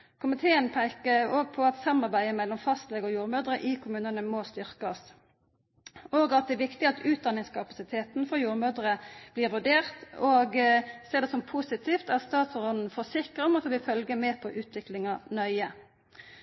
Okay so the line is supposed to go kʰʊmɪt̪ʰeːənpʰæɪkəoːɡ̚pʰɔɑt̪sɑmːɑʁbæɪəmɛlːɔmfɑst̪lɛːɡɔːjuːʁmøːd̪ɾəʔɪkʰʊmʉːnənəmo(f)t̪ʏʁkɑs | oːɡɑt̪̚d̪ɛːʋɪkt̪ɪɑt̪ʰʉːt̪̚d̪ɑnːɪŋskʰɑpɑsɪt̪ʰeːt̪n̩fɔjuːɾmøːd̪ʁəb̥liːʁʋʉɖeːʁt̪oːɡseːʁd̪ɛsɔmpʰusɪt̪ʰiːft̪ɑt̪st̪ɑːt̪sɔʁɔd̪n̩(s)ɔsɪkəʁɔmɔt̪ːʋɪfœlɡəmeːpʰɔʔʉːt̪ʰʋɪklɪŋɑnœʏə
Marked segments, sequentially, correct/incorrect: incorrect, incorrect

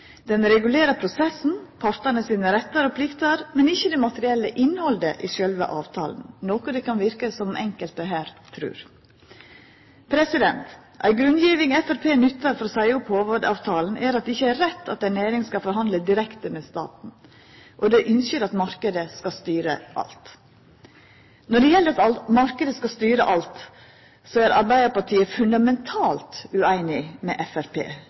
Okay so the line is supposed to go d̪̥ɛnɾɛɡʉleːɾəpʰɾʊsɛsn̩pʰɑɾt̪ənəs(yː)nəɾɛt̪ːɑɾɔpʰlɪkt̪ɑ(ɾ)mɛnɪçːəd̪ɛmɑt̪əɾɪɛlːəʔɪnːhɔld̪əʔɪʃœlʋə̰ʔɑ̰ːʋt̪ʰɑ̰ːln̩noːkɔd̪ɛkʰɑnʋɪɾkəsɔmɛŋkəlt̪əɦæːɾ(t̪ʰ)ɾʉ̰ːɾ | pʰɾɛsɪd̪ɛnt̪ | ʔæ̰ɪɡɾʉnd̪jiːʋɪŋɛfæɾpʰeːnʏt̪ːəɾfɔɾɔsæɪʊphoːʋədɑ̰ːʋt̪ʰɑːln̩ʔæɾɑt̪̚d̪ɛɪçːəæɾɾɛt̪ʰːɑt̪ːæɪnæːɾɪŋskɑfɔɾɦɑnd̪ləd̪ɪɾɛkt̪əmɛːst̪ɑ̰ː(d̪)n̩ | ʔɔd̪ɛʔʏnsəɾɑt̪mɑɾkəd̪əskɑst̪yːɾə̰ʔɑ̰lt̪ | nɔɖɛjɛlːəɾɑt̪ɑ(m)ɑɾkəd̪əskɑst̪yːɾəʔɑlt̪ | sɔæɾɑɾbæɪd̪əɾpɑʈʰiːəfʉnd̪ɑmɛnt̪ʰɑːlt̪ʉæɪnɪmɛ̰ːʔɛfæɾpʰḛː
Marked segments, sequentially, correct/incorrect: incorrect, correct, correct, incorrect, correct

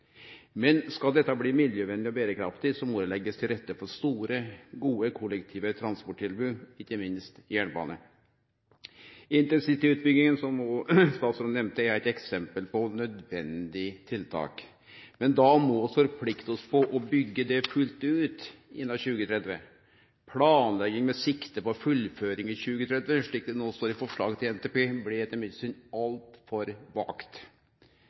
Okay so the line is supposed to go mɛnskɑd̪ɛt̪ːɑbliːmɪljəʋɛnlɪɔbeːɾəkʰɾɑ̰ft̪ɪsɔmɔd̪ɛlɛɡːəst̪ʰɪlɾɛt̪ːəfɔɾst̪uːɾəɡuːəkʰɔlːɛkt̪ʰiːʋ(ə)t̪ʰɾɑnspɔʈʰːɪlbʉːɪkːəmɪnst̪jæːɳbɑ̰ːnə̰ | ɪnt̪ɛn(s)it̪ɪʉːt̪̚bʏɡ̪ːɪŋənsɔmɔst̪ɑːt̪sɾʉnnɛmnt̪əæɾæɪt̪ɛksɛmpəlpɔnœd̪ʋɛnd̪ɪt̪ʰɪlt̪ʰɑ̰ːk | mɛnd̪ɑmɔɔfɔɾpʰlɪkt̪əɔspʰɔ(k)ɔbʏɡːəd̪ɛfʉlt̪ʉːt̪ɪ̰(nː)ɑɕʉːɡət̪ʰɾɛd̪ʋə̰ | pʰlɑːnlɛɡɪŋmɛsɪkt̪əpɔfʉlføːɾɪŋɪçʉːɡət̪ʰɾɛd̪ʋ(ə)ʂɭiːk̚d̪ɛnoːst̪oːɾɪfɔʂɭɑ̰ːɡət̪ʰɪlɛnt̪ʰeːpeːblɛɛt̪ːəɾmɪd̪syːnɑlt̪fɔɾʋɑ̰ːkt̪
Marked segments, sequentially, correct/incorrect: correct, correct, incorrect, correct, correct

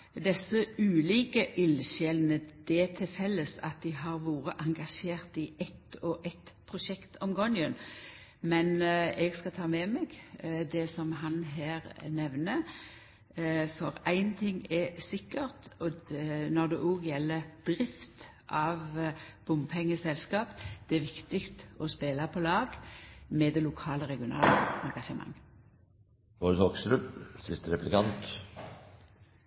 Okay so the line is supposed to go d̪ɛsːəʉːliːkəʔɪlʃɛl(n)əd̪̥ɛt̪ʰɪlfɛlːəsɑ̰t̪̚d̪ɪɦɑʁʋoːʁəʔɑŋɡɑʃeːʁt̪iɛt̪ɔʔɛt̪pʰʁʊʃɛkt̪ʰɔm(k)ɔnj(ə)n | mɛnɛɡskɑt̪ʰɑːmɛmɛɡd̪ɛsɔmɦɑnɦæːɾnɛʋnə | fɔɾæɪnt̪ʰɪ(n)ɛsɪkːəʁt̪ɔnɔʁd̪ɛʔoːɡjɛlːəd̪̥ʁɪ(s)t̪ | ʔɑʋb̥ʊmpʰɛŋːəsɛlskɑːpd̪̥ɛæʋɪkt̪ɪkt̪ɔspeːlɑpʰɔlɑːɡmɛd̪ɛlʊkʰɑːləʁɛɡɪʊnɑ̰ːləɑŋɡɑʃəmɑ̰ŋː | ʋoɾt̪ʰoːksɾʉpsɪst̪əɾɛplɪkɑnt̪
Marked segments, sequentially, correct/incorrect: correct, incorrect, correct, incorrect, incorrect

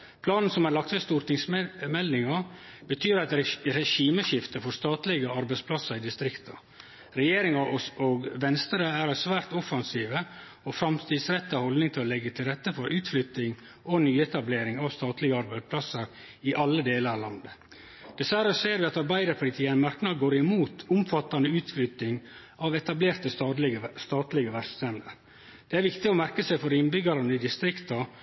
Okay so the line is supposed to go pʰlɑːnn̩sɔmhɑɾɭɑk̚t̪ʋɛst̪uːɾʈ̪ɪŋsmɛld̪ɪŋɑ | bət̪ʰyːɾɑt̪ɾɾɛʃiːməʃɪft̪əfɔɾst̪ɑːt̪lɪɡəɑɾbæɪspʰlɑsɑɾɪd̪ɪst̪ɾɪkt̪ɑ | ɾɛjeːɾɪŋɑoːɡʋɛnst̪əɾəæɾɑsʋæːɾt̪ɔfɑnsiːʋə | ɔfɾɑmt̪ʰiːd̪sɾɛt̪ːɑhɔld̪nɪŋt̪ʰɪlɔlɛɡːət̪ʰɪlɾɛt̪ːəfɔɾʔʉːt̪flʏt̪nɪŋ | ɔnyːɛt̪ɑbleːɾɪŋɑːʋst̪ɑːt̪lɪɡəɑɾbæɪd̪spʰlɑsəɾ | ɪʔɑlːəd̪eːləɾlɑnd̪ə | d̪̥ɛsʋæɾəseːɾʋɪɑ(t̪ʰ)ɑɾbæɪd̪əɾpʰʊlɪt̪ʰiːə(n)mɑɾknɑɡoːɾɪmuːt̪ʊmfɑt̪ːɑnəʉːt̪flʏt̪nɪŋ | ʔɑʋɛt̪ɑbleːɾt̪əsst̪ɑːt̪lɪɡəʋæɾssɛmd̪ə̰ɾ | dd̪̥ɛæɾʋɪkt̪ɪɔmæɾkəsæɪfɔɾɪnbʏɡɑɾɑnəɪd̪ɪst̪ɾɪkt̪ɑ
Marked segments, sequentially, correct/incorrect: incorrect, correct

